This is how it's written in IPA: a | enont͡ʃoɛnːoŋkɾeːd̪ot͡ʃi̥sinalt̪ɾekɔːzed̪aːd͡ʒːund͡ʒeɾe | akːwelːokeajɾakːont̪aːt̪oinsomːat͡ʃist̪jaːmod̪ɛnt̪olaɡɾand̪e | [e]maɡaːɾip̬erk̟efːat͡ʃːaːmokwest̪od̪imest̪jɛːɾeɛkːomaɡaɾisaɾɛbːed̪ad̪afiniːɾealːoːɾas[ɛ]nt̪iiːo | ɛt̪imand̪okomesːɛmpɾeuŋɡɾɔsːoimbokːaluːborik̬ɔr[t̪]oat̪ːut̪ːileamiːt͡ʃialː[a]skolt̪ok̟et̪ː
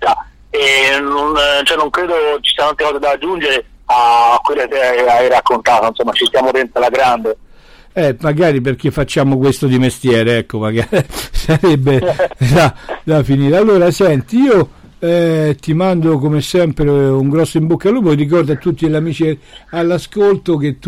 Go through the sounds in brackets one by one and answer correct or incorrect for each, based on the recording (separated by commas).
incorrect, correct, incorrect, correct